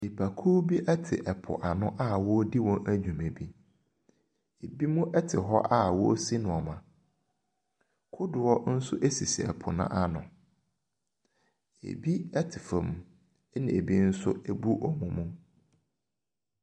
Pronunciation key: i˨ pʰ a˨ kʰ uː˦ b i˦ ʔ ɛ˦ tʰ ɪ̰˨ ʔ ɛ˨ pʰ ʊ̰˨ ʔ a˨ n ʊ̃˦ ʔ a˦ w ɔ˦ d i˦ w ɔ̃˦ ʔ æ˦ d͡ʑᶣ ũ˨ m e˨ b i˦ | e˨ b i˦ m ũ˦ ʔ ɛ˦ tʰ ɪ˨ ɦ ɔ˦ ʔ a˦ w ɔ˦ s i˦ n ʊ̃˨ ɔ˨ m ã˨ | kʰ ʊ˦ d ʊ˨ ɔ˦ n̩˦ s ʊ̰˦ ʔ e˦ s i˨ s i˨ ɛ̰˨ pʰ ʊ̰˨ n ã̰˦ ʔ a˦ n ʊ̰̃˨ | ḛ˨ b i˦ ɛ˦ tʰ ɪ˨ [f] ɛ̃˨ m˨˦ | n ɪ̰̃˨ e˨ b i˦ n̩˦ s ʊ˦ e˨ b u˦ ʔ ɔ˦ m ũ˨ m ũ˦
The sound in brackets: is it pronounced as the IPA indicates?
yes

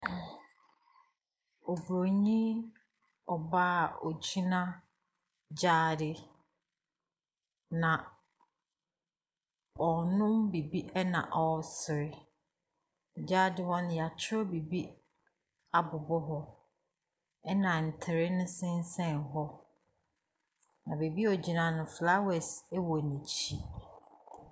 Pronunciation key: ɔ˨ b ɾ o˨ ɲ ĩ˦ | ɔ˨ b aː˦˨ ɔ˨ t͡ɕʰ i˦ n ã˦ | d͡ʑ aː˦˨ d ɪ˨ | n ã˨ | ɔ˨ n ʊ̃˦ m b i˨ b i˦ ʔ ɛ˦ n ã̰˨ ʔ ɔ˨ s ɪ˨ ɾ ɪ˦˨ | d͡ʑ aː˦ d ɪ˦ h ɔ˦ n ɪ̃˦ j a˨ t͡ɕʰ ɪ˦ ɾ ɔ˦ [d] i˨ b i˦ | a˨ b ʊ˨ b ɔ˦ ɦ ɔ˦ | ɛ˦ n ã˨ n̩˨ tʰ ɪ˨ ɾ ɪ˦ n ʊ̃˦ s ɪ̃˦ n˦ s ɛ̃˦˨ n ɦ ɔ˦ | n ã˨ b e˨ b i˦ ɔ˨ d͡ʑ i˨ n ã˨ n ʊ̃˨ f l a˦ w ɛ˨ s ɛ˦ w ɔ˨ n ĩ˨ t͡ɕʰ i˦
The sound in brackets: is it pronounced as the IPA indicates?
no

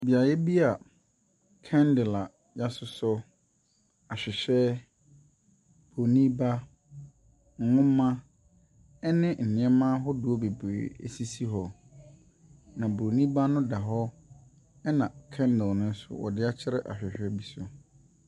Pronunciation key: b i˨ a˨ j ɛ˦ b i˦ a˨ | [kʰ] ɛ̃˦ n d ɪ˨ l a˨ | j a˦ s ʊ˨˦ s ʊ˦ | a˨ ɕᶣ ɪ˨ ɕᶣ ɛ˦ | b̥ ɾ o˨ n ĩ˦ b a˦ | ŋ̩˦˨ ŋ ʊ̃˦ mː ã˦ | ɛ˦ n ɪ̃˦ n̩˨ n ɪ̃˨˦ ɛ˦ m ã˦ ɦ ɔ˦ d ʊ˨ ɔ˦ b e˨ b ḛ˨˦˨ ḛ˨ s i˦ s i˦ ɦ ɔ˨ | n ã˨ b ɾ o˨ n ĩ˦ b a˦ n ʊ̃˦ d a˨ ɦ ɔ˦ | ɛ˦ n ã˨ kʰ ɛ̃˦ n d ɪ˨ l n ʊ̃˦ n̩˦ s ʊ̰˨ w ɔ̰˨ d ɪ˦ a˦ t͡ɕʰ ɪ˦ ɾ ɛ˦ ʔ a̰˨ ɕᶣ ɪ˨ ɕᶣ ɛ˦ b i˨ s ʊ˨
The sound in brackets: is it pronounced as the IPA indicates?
yes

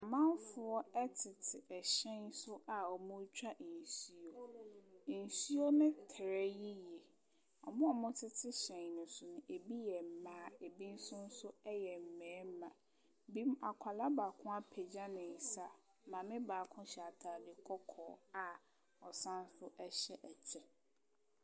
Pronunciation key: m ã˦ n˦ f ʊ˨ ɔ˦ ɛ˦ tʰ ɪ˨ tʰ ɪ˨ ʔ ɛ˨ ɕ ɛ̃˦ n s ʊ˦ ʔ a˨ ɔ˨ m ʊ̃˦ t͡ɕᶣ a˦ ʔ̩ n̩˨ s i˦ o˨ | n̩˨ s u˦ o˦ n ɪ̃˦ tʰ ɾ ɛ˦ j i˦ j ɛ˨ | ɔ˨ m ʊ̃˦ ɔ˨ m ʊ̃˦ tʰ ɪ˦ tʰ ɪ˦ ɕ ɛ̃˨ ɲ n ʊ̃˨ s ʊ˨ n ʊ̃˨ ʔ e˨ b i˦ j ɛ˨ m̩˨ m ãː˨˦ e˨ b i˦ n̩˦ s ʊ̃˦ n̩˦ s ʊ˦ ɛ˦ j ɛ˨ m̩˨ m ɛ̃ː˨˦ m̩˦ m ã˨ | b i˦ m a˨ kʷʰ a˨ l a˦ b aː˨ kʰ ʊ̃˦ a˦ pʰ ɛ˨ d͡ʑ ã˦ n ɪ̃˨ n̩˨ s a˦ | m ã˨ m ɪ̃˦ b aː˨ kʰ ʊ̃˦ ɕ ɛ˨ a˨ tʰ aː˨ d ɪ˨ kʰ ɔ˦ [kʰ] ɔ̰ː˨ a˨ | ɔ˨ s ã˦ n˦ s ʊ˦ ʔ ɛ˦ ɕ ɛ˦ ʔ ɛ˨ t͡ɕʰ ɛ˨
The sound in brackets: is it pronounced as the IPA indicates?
yes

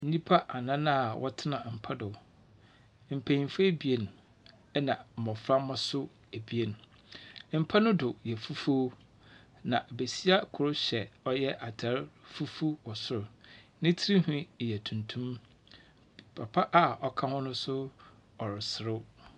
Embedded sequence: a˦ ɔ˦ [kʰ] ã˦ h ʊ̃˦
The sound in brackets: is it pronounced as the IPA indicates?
yes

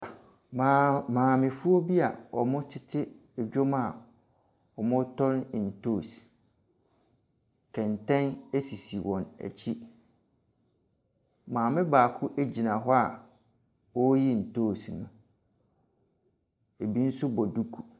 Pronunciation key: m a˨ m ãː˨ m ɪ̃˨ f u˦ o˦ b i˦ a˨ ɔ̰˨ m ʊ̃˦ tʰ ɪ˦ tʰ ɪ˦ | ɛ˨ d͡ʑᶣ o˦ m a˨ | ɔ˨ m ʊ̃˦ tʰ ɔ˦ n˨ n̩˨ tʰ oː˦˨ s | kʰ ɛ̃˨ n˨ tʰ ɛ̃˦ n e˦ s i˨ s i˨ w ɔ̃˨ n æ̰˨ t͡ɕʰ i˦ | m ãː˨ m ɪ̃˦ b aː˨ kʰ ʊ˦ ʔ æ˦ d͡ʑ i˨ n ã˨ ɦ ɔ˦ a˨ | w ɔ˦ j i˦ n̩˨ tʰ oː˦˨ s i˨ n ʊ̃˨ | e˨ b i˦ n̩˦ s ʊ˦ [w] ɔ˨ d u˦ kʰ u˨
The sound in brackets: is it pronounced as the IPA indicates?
no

